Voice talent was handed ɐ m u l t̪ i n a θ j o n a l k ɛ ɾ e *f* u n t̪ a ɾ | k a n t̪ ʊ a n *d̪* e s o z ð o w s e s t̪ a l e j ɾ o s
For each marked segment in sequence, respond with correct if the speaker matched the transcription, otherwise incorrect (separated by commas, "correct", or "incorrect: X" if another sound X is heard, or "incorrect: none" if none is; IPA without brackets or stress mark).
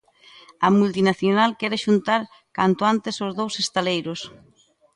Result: incorrect: ʃ, incorrect: t̪